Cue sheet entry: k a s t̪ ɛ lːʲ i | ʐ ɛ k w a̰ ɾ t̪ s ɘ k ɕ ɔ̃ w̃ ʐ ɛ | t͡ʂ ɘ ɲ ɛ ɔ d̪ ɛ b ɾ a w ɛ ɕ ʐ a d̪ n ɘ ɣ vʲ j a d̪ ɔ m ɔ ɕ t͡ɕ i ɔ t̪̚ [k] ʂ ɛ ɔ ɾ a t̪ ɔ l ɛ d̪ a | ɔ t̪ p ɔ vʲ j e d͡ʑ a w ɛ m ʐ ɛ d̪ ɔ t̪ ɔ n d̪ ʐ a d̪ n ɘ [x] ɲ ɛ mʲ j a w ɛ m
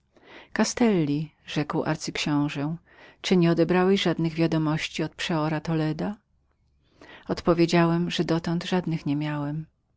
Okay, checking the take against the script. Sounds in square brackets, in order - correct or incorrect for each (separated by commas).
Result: incorrect, correct